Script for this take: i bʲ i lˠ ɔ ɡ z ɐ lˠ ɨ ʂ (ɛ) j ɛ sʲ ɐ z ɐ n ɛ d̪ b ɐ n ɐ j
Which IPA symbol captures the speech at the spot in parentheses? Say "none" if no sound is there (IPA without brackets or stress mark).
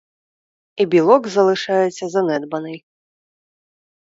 a